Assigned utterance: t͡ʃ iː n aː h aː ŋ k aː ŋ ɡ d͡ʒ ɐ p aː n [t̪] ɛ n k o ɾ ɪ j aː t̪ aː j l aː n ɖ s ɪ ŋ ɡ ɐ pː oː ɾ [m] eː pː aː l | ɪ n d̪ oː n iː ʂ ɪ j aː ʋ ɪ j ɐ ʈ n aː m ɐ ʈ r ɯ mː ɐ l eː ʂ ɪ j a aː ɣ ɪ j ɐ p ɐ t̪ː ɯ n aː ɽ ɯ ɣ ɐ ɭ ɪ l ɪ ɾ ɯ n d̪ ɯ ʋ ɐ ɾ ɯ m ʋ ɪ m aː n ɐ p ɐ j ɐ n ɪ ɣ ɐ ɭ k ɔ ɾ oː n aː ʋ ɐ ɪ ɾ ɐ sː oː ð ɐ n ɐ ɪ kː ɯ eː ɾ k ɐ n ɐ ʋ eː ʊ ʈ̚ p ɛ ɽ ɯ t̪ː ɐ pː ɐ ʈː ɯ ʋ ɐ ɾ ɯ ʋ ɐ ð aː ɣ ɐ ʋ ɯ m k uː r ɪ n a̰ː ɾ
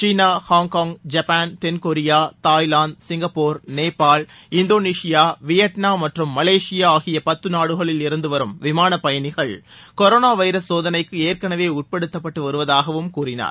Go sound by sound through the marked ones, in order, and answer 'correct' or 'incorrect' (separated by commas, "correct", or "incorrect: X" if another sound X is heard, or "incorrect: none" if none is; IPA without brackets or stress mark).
correct, incorrect: n